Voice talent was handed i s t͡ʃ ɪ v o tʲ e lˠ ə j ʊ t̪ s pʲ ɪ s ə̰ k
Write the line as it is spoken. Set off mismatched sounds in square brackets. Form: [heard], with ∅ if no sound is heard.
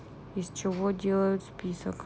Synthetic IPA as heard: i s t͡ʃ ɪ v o [dʲ] e lˠ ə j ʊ t̪ s pʲ [i] s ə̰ k